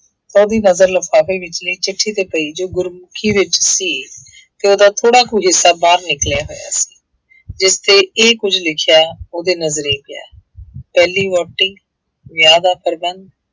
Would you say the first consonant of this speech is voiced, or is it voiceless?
voiceless